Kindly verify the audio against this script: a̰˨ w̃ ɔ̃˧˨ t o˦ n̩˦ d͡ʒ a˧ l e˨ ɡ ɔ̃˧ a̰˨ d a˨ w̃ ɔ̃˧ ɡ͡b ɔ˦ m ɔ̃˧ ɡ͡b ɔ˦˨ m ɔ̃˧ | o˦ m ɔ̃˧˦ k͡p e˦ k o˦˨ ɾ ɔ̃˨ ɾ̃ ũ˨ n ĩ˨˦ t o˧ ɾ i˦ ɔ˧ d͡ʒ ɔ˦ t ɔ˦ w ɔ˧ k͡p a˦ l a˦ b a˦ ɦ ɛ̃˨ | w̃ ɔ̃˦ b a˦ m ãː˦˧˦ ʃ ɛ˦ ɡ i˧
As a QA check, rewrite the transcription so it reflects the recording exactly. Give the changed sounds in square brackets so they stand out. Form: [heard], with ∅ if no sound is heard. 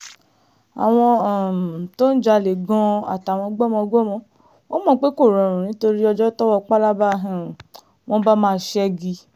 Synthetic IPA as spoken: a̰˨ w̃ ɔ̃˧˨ t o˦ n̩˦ d͡ʒ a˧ l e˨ ɡ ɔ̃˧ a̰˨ [t] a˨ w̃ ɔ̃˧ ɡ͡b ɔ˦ m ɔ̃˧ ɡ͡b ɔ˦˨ m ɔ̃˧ | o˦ m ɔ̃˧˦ k͡p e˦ k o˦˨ ɾ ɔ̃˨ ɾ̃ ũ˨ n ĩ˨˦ t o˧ ɾ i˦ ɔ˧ d͡ʒ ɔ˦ t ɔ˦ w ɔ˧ k͡p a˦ l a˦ b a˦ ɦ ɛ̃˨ | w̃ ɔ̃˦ b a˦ m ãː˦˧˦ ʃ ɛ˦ ɡ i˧